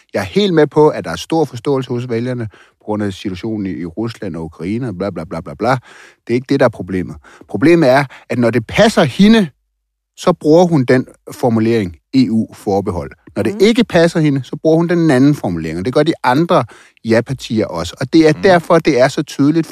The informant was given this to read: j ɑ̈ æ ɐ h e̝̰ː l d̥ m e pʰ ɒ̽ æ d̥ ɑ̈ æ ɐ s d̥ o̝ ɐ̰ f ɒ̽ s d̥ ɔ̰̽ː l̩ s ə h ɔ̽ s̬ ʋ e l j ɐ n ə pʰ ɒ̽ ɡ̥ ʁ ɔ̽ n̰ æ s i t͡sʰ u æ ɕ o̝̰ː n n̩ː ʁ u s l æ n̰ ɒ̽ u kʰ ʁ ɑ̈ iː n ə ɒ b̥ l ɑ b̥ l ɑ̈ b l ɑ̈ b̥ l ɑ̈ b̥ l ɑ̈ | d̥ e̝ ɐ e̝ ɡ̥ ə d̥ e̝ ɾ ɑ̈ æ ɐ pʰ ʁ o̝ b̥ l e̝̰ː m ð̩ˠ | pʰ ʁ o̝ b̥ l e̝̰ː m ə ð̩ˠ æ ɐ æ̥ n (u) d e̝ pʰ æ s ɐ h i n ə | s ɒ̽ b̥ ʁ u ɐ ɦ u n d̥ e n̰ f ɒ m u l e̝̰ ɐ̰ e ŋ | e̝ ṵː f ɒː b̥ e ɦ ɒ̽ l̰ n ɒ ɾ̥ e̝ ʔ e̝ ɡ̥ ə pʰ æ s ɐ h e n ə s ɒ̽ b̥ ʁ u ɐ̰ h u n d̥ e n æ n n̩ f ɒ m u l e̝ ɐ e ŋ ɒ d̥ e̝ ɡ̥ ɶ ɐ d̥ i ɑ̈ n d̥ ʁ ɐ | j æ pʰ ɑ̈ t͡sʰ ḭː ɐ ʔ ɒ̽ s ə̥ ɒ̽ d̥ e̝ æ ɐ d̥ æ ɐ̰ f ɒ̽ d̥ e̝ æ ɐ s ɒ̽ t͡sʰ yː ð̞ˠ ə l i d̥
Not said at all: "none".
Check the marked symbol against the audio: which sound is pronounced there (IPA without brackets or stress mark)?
ɒ